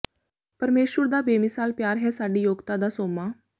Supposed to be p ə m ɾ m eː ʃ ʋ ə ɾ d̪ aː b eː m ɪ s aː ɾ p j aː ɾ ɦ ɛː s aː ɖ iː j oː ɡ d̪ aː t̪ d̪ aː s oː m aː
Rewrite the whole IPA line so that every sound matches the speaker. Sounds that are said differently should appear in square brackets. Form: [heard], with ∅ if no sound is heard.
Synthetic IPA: p ə [∅] ɾ m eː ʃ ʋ ə ɾ d̪ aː b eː m ɪ s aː [l] p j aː ɾ ɦ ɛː s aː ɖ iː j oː ɡ [t̪] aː [∅] d̪ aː s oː m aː